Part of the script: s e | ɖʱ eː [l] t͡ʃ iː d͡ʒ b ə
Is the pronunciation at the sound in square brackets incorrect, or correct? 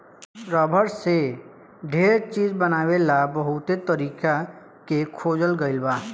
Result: incorrect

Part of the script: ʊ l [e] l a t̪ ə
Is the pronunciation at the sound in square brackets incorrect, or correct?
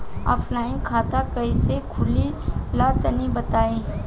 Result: incorrect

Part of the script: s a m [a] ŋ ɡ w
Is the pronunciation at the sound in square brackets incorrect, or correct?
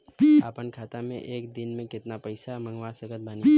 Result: incorrect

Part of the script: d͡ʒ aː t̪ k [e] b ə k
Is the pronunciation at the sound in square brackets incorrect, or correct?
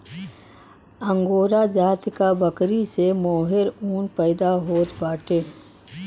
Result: incorrect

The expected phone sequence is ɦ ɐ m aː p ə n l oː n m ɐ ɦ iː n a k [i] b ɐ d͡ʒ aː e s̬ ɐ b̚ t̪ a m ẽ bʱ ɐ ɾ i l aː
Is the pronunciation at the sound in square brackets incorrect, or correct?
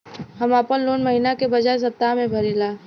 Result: incorrect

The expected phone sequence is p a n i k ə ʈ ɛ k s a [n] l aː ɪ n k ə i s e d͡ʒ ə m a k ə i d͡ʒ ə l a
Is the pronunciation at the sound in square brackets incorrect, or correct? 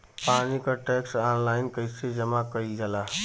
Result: correct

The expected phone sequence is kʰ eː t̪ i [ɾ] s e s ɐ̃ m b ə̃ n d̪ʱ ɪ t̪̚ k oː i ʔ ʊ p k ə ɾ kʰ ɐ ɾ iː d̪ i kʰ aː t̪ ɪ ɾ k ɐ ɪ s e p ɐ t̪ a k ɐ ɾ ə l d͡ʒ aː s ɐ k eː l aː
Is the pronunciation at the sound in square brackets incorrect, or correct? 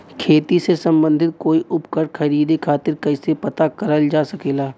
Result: incorrect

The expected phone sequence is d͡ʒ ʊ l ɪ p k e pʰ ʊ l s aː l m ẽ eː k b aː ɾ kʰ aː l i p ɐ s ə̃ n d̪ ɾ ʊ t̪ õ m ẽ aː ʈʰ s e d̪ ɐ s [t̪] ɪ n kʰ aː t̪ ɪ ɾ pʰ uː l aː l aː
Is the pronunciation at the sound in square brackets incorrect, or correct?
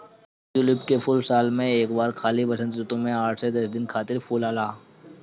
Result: incorrect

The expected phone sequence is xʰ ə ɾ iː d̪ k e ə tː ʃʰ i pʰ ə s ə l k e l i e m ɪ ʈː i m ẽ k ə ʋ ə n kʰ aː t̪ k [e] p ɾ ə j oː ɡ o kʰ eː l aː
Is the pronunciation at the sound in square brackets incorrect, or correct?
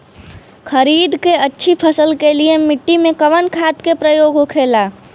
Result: correct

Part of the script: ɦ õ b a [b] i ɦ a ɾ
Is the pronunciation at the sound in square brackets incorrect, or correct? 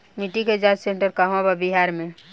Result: correct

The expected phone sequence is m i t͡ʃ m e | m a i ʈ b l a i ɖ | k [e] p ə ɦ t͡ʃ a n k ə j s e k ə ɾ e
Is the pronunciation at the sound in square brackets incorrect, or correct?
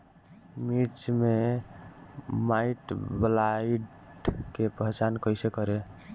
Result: correct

